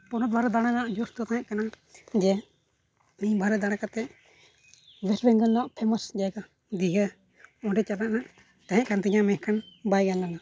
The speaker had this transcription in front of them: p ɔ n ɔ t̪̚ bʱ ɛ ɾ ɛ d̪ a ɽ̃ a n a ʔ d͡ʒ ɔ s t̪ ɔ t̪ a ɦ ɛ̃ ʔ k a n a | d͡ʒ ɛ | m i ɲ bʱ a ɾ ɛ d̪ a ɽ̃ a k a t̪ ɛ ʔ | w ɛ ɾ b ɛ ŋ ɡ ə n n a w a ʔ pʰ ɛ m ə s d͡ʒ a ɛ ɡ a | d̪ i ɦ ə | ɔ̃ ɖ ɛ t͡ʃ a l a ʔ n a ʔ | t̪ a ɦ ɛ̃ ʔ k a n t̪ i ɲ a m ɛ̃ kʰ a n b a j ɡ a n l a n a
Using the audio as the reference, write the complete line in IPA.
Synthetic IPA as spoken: p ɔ n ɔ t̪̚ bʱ a ɾ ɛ d̪ a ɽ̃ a n a ʔ d͡ʒ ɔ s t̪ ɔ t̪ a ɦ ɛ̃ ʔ k a n a | d͡ʒ ɛ | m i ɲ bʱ a ɾ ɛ d̪ a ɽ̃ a k a t̪ ɛ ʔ | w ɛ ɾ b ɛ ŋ ɡ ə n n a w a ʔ pʰ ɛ m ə s d͡ʒ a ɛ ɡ a | d̪ i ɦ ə | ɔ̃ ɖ ɛ t͡ʃ a l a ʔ n a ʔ | t̪ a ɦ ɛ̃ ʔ k a n t̪ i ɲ a m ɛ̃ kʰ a n b a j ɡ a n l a n a